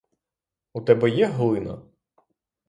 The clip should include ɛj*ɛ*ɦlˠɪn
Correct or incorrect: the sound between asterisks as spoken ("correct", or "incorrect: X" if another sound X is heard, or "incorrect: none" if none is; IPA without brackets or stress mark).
correct